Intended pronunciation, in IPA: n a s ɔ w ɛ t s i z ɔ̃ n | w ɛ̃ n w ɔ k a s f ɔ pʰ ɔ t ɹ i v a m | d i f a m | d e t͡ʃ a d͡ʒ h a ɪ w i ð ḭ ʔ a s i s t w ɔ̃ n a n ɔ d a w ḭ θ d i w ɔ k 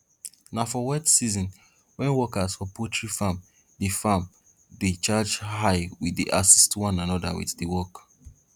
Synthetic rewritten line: n a f ɔ w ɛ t s i z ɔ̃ n | w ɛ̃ n w ɔ k a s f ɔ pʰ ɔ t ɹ i f a m | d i f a m | d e t͡ʃ a d͡ʒ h a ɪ w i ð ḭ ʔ a s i s t w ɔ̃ n a n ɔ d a w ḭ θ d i w ɔ k